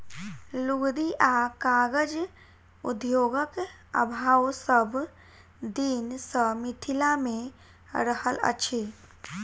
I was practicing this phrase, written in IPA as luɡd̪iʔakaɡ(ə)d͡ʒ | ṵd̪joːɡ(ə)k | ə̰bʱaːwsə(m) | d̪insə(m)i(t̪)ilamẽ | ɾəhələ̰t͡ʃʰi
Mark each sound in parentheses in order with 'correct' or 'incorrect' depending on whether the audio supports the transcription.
correct, correct, incorrect: b, correct, incorrect: t̪ʰ

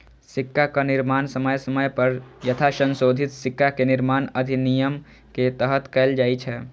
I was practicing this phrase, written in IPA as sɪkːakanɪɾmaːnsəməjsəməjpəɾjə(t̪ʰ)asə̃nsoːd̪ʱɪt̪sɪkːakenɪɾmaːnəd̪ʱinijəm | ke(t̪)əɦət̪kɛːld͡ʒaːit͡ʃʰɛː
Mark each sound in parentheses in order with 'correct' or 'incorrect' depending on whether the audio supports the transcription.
correct, correct

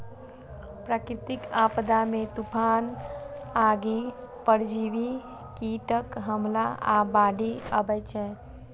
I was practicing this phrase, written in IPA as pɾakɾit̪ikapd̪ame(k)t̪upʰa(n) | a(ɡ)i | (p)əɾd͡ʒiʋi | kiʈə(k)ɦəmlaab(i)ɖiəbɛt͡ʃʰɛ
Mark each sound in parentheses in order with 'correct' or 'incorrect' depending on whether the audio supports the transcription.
incorrect: none, correct, correct, correct, correct, incorrect: a

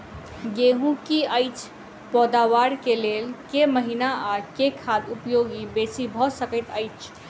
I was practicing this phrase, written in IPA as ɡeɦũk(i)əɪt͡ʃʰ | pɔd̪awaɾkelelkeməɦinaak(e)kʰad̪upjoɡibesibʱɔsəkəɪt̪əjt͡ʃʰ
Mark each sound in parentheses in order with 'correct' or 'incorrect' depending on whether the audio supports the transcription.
correct, correct

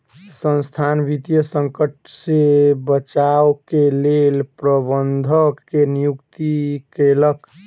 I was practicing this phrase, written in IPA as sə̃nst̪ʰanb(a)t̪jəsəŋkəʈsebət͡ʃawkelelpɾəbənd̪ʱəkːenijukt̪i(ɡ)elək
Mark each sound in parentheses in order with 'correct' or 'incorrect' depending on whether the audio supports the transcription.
incorrect: i, incorrect: k

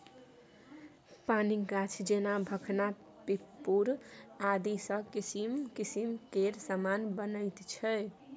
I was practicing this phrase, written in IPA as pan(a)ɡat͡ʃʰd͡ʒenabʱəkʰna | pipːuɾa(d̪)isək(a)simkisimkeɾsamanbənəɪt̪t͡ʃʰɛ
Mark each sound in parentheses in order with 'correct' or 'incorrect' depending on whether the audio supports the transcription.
incorrect: i, correct, incorrect: i

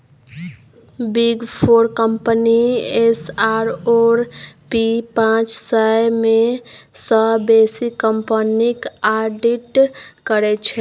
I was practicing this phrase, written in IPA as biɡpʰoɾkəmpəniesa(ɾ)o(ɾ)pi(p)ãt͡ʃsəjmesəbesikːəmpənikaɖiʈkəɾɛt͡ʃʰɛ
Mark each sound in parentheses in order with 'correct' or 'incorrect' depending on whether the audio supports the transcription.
correct, correct, correct

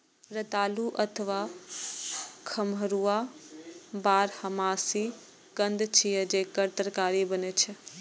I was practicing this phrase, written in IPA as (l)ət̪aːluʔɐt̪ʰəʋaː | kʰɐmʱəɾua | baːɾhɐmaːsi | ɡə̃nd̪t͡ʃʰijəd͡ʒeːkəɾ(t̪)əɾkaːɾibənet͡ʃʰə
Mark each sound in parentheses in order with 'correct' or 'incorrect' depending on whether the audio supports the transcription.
incorrect: ɾ, correct

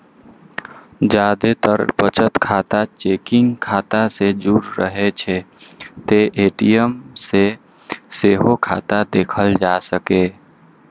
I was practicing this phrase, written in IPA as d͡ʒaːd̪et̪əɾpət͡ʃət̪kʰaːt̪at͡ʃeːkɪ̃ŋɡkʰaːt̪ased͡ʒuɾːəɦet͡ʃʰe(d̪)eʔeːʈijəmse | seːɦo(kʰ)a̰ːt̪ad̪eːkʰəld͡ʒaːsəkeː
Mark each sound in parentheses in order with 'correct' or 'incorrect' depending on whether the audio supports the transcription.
incorrect: t̪, correct

